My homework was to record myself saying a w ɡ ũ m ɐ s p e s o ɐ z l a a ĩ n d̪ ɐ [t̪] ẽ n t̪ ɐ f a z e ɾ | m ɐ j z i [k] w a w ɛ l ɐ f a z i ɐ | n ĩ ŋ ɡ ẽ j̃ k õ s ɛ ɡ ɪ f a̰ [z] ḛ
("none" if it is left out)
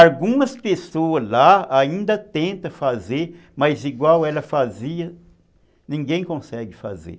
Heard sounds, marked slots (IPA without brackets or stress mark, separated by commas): t̪, ɡ, z